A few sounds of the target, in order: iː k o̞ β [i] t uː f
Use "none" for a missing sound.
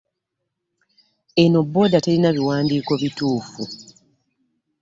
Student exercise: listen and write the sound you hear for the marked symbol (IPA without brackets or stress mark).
i